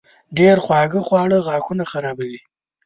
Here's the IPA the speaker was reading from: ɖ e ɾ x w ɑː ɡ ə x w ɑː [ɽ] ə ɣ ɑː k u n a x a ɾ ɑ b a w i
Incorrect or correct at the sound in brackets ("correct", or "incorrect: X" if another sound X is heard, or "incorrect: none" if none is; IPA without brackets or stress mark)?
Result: correct